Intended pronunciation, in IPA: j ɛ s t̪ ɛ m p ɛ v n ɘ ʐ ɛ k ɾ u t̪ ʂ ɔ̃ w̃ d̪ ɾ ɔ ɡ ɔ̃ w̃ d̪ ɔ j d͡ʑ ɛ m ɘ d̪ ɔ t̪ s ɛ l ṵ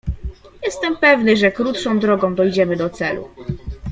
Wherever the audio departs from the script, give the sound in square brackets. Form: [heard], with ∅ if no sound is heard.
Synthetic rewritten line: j ɛ s t̪ ɛ m p ɛ v n ɘ ʐ ɛ k ɾ u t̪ ʂ ɔ̃ w̃ d̪ ɾ ɔ ɡ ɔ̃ w̃ d̪ ɔ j d͡ʑ ɛ m ɘ d̪ ɔ t̪ s ɛ l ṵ